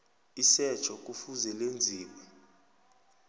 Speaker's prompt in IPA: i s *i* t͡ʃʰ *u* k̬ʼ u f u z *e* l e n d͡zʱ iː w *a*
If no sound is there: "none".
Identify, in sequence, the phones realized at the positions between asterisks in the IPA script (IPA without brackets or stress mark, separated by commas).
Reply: ɛ, ɔ, ɛ, ɛ